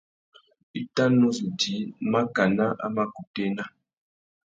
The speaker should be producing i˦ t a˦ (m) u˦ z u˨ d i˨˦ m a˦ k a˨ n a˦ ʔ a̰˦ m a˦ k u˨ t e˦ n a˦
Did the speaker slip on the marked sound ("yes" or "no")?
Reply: yes